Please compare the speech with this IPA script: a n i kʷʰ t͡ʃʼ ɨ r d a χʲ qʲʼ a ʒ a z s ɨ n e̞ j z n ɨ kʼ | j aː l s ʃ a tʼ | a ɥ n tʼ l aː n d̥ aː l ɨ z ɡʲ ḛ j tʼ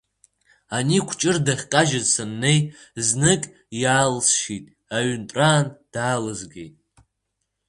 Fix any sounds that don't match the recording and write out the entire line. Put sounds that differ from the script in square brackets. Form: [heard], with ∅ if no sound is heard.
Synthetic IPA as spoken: a n i kʷʰ t͡ʃʼ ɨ r d a χʲ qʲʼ a ʒ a z s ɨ [nː] e̞ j z n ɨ kʼ | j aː l s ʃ [i] tʼ | a ɥ n tʼ [r] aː n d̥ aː l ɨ z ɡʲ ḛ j tʼ